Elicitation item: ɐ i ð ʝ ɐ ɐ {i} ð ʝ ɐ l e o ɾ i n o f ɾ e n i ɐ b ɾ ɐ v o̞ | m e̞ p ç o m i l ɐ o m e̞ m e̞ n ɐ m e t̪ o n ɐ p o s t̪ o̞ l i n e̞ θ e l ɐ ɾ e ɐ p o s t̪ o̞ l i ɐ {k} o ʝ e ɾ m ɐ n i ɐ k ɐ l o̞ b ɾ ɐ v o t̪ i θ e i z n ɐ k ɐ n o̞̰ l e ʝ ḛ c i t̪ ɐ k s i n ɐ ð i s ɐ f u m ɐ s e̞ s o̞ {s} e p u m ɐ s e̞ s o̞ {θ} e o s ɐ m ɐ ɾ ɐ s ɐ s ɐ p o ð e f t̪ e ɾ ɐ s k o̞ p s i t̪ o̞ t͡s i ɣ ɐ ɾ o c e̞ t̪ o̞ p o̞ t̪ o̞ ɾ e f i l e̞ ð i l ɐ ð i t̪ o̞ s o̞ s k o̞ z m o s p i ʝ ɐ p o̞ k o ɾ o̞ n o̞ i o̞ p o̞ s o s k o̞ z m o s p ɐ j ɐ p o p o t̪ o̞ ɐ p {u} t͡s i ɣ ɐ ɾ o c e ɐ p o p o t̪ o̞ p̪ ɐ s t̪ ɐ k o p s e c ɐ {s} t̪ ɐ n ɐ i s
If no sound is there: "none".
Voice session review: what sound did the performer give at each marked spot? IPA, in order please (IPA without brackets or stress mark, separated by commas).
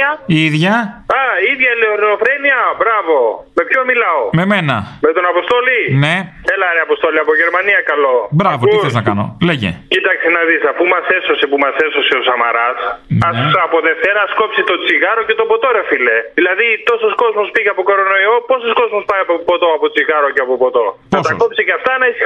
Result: i, p, s, s, o, f